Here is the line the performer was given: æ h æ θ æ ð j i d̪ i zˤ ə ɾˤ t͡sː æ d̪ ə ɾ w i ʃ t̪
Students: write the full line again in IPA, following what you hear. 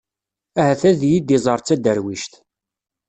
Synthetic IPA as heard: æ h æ θ æ ð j i d̪ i zˤ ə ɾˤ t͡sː æ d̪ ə ɾ w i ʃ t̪